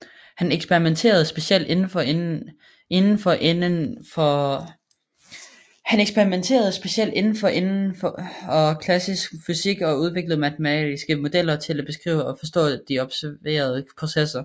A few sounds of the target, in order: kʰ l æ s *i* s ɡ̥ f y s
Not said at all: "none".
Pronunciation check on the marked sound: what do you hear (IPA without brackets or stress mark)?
i